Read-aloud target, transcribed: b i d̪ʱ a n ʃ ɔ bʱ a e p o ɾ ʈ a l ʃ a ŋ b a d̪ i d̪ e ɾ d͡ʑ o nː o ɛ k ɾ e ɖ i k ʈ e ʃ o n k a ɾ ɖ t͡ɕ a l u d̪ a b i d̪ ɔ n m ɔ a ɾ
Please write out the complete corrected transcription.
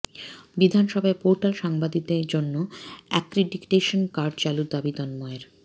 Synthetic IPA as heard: b i d̪ʱ a n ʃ ɔ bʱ a e p o ɾ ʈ a l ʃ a ŋ b a d̪ i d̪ e ɾ d͡ʑ o nː o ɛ k ɾ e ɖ i k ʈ e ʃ o n k a ɾ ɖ t͡ɕ a l u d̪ a b i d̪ ɔ n m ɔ e ɾ